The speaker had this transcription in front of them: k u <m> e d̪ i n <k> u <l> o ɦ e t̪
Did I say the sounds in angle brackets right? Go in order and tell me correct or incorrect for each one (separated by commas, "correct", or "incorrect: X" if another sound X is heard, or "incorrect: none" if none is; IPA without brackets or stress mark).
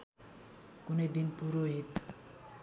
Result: incorrect: n, incorrect: p, incorrect: ɾ